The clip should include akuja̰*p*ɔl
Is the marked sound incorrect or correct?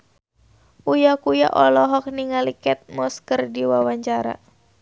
incorrect: ʔ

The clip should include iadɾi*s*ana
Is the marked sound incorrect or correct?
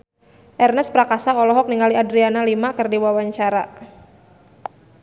incorrect: none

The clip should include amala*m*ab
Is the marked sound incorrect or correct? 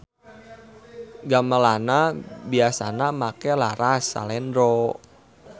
incorrect: n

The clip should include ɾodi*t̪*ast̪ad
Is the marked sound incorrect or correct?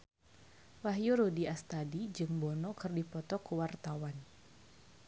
incorrect: none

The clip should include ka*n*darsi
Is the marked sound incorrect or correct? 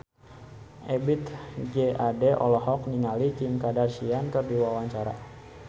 incorrect: none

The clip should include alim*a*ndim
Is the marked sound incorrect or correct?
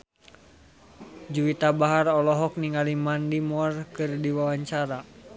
correct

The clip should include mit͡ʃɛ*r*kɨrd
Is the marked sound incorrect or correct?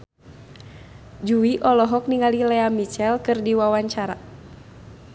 incorrect: l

